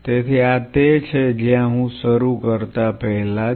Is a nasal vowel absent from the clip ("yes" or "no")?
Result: no